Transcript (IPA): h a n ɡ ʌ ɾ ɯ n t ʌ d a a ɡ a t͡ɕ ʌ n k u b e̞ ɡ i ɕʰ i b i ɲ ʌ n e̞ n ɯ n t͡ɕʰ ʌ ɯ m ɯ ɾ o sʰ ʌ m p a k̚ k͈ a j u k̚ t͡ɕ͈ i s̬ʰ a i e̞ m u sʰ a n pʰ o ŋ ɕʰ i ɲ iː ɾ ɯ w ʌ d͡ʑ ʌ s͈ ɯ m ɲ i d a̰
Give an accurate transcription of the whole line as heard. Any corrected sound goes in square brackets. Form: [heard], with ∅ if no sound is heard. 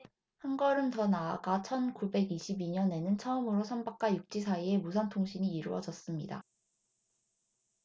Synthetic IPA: h a n ɡ ʌ ɾ ɯ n t ʌ [n] a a ɡ a [t͡ɕʰ] ʌ n k u b e̞ ɡ i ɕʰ i b i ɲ ʌ n e̞ n ɯ n t͡ɕʰ ʌ ɯ m ɯ ɾ o sʰ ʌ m [b] a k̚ k͈ a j u k̚ t͡ɕ͈ i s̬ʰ a i e̞ m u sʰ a n [tʰ] o ŋ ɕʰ i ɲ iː ɾ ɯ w ʌ d͡ʑ ʌ s͈ ɯ m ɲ i d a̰